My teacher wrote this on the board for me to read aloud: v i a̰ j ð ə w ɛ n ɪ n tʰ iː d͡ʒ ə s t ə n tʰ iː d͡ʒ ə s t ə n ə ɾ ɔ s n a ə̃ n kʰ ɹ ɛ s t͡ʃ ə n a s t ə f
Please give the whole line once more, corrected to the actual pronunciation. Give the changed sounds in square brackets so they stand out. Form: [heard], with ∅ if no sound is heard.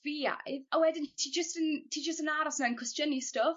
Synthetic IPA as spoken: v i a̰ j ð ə w ɛ [d] ɪ n tʰ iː d͡ʒ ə s t ə n tʰ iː d͡ʒ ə s t ə n [a] ɾ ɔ s n a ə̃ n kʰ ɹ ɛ s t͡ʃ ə n [i] s t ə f